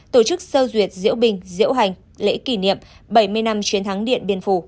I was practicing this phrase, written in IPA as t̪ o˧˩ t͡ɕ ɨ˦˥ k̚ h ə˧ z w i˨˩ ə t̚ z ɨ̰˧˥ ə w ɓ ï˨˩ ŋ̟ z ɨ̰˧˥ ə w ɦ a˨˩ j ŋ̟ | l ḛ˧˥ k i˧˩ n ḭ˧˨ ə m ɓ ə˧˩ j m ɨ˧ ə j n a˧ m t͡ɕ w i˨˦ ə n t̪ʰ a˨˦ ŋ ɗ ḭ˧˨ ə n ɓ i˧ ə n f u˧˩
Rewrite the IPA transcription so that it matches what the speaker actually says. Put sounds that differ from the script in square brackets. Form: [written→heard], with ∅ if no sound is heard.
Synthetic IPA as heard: t̪ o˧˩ t͡ɕ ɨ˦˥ k̚ [h→s] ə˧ z w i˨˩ ə t̚ z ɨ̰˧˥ ə w ɓ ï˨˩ ŋ̟ z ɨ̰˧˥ ə w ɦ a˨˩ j ŋ̟ | l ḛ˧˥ k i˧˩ n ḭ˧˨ ə m ɓ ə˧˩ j m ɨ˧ ə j n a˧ m t͡ɕ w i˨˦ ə n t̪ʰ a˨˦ ŋ ɗ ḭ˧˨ ə n ɓ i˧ ə n f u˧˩